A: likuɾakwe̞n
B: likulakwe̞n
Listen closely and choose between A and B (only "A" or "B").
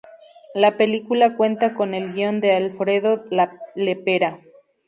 B